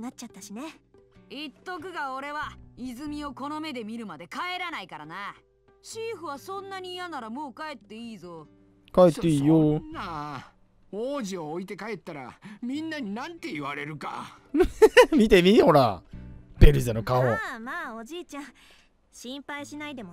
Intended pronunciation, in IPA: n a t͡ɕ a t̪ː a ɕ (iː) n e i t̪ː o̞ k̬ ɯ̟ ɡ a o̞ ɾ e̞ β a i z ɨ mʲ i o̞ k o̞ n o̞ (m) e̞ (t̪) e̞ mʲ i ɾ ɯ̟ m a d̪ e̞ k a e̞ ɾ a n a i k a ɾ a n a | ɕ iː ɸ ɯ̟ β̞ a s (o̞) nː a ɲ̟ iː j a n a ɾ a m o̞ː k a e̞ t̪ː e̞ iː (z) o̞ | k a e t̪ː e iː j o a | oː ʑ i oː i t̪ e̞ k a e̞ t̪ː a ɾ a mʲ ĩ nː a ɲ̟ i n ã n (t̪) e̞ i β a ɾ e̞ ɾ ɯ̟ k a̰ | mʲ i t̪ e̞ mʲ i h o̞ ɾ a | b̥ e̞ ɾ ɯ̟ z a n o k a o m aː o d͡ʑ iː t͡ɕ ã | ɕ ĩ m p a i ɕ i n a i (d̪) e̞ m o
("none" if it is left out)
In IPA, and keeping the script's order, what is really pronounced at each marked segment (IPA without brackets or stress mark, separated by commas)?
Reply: i, m, d̪, õ̞, z, t̪, d̪